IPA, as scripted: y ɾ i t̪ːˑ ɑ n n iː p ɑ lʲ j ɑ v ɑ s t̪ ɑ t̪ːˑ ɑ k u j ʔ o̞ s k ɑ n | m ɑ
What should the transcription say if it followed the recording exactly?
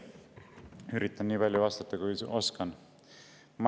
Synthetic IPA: y ɾ i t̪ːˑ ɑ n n iː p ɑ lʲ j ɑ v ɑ s t̪ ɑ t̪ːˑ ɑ k u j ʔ o̞ s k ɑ n | m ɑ